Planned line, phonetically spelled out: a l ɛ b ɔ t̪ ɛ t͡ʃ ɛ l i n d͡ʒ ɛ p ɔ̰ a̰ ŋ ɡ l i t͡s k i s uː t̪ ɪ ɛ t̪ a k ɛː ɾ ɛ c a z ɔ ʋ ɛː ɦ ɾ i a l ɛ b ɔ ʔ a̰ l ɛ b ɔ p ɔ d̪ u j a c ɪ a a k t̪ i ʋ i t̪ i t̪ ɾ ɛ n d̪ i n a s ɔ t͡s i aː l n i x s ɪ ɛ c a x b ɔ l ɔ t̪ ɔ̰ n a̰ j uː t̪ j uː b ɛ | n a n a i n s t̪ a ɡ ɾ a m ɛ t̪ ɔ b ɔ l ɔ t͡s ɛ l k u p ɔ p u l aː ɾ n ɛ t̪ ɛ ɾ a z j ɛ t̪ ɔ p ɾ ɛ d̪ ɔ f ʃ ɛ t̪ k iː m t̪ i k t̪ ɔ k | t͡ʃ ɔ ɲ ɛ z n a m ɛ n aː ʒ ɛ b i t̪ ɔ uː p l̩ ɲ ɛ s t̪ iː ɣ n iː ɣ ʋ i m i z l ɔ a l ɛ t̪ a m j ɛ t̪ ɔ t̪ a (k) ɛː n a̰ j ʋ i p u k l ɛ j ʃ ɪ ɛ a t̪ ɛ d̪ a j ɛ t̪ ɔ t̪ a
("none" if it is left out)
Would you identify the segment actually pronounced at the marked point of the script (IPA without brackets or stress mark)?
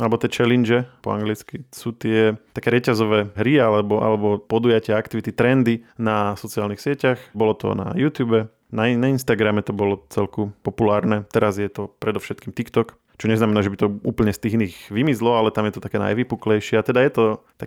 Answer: k